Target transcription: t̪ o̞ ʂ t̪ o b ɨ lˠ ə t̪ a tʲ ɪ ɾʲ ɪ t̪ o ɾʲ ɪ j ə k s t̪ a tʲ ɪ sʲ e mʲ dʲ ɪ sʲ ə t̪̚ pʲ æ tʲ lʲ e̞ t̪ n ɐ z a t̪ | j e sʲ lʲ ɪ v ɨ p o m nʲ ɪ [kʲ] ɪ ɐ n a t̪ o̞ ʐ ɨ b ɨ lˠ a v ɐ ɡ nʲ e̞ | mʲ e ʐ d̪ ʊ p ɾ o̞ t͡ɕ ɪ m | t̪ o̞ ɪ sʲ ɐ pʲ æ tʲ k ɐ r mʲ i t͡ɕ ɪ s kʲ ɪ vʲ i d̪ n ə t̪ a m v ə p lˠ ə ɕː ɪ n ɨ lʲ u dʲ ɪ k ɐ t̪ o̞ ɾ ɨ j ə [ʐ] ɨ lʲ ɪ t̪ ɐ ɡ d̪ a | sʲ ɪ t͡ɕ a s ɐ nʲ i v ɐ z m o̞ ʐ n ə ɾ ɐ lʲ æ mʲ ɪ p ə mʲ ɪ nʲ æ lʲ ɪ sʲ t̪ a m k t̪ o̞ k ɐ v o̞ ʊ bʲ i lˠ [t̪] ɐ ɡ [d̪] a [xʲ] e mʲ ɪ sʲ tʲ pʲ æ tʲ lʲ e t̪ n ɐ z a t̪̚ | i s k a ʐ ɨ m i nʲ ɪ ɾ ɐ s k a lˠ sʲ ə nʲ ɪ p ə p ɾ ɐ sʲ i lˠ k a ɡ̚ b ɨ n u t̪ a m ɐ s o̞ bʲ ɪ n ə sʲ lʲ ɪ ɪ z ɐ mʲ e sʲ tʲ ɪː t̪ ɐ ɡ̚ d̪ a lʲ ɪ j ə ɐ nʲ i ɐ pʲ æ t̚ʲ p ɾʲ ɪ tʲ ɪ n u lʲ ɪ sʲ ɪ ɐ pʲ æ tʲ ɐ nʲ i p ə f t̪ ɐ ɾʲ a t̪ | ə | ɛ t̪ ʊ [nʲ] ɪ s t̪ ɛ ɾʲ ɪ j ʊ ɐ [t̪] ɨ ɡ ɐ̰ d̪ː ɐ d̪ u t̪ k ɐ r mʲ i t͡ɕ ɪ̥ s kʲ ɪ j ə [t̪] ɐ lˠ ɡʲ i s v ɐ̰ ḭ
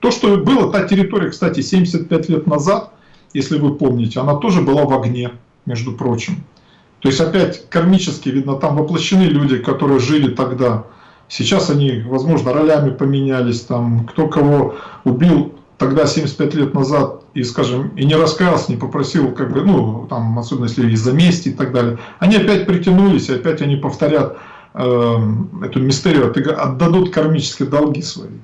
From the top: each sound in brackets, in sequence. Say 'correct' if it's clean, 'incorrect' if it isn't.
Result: incorrect: tʲ, correct, correct, correct, incorrect: sʲ, incorrect: mʲ, correct, incorrect: d̪

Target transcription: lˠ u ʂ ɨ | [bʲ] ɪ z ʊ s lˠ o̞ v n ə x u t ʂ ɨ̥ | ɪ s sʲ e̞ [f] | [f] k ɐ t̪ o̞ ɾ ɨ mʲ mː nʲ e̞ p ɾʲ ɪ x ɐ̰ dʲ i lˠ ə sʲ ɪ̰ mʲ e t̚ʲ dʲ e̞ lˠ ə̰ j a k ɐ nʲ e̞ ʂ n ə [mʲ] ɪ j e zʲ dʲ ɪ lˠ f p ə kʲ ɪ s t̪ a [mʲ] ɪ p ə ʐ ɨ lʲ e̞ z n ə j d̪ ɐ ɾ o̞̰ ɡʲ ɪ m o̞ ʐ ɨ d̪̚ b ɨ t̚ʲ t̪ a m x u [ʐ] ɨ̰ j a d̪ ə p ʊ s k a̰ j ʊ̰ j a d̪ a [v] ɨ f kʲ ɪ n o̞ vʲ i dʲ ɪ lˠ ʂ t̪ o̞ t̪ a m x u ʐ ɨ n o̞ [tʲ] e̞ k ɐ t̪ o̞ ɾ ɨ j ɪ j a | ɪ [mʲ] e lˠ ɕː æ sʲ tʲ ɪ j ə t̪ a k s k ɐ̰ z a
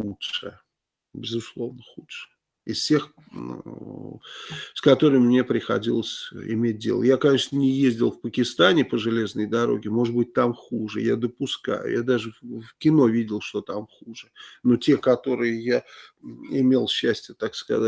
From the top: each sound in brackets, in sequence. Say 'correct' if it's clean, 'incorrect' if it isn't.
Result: correct, incorrect: x, incorrect: s, incorrect: nʲ, incorrect: nʲ, correct, incorrect: ʐ, correct, correct

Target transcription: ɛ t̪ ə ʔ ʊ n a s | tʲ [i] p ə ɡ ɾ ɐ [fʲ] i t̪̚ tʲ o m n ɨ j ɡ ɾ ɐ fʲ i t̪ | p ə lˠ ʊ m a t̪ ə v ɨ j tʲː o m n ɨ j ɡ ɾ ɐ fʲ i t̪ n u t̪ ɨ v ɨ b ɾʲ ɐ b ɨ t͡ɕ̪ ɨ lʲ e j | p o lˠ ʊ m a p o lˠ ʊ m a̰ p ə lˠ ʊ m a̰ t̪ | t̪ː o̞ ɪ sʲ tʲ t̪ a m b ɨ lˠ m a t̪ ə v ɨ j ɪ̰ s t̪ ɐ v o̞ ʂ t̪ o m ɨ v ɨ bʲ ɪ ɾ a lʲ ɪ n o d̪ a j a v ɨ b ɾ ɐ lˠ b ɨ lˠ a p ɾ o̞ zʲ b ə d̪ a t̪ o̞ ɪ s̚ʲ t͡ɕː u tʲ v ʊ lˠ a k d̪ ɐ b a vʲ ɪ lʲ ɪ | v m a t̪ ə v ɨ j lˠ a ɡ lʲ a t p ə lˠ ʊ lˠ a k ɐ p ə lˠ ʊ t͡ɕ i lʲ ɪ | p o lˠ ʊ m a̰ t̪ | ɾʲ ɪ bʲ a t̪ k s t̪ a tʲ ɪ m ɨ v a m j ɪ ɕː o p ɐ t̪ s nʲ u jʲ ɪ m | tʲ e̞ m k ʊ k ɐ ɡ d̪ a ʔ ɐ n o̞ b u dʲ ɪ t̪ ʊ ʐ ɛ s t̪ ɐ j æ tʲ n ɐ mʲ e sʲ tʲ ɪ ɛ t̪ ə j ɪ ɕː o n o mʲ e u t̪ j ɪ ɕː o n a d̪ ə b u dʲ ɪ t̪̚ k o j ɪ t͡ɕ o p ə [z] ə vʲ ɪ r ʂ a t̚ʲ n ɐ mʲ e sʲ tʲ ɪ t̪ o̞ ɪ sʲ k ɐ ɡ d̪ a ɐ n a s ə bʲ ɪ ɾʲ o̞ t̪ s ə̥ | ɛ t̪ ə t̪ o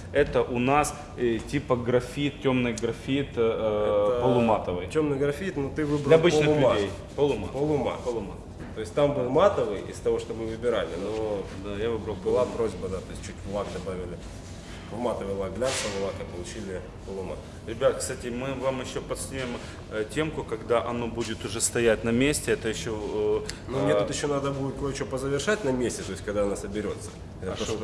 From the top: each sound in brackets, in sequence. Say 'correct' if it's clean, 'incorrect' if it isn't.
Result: correct, correct, correct

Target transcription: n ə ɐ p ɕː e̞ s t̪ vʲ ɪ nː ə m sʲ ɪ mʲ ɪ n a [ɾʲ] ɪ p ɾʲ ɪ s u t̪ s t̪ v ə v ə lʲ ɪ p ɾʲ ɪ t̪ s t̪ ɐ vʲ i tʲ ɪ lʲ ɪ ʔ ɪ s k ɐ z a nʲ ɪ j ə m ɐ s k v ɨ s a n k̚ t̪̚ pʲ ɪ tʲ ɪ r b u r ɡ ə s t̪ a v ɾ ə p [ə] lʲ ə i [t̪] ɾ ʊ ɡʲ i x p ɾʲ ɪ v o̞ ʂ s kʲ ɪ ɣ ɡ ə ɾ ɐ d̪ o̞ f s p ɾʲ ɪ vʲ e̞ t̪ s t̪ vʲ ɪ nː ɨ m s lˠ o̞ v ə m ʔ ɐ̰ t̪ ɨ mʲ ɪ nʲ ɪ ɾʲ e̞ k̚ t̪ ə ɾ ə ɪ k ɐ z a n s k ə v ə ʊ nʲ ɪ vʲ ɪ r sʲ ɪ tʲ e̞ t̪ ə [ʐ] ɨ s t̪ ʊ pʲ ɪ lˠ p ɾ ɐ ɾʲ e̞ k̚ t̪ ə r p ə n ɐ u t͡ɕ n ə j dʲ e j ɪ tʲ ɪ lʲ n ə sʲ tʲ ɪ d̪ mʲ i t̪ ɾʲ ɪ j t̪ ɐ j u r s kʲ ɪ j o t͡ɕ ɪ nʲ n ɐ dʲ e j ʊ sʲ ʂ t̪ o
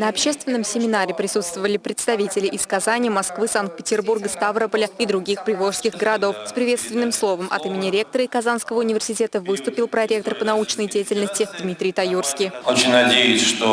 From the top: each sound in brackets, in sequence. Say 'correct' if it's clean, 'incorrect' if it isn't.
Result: correct, correct, incorrect: d̪, incorrect: v

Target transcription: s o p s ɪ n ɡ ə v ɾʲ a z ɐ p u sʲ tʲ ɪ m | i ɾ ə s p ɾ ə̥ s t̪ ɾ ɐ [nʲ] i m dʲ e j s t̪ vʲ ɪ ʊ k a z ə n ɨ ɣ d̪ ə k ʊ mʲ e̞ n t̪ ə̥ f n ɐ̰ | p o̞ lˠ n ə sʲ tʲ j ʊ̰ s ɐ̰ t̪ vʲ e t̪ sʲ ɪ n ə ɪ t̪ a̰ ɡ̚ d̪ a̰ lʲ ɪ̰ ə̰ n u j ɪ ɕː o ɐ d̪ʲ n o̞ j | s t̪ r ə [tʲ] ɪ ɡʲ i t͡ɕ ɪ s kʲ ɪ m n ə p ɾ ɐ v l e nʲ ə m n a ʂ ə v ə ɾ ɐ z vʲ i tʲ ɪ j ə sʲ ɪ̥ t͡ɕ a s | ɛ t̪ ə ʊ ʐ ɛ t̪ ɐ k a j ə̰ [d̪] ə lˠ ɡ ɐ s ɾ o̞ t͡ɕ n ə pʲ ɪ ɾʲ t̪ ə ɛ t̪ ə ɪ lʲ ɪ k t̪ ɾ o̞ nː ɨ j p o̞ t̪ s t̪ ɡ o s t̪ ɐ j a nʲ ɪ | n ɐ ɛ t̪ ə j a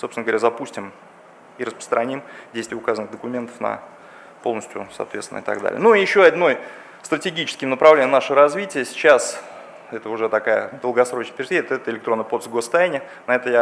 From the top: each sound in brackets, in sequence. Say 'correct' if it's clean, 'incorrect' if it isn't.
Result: correct, correct, correct

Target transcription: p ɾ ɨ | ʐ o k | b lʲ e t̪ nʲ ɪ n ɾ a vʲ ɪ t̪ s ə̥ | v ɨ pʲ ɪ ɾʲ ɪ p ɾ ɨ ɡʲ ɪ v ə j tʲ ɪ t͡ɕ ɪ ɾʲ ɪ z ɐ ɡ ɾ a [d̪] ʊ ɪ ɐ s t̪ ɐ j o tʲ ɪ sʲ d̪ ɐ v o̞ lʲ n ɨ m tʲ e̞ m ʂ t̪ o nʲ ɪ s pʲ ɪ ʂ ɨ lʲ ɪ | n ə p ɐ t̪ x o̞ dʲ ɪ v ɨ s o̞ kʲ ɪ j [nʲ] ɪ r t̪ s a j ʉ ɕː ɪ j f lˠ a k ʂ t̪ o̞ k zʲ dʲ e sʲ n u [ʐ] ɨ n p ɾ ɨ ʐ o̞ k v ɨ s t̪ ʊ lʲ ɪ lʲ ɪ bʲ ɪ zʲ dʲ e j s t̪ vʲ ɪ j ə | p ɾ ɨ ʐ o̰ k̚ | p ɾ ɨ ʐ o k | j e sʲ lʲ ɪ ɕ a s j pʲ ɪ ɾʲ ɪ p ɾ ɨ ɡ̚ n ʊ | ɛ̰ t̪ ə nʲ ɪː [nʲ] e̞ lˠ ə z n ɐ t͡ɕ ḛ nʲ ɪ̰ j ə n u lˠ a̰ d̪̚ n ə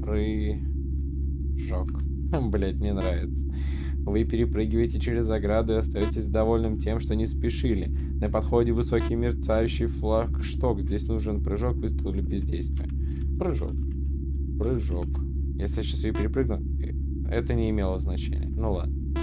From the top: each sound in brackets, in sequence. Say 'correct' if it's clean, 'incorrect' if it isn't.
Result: correct, incorrect: mʲ, correct, incorrect: mʲ

